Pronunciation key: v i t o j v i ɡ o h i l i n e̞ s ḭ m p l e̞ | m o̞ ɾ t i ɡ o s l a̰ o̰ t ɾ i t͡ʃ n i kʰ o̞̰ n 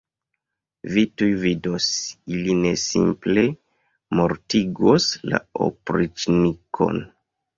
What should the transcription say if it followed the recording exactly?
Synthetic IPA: v i t u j v i d o s i l i n e̞ s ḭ m p l e̞ | m o̞ ɾ t i ɡ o s l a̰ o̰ p ɾ i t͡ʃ n i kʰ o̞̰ n